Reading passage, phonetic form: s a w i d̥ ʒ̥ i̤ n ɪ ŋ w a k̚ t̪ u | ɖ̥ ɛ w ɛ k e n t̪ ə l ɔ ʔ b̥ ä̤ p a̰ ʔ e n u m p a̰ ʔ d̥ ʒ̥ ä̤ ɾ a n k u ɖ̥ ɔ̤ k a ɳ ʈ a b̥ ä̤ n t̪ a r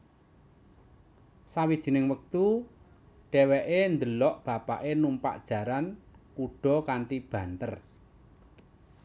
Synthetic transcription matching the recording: s a w i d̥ ʒ̥ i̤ n ɪ ŋ w ə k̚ t̪ u | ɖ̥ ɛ w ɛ ʔ e n d̪ ə l ɔ ʔ b̥ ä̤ p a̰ ʔ e n u m p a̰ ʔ d̥ ʒ̥ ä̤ ɾ a n k u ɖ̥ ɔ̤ k a ɳ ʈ i b̥ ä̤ n t̪ ə r

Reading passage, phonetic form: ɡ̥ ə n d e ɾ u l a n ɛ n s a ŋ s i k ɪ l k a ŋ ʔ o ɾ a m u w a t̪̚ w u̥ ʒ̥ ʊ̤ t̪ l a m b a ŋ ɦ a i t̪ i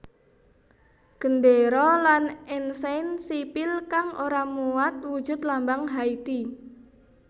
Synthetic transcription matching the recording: ɡ̥ ə n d e ɾ ɔ l a n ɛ n s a n s i p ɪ l k a ŋ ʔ o ɾ a m u w a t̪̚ w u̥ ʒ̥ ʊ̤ t̪ l a m b a ŋ ɦ a i t̪ i

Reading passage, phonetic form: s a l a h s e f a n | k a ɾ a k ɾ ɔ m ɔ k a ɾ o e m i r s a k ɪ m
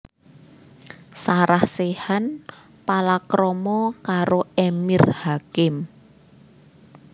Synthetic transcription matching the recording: s a ɾ a h s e h a n | p a l a k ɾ ɔ m ɔ k a ɾ o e m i r h a k ɪ m

